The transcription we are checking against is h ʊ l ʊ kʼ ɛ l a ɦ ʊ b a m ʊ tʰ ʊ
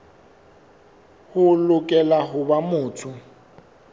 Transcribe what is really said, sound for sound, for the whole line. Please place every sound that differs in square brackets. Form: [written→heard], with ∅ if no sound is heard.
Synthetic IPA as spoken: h ʊ l ʊ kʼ ɛ l a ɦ ʊ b a m [ʊ→ʊː] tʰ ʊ